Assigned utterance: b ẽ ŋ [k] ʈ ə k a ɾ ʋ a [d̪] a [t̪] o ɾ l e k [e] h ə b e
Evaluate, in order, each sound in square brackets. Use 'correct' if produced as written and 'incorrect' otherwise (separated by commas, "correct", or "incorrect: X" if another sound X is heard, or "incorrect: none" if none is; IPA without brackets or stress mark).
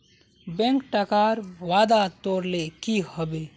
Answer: correct, correct, correct, incorrect: i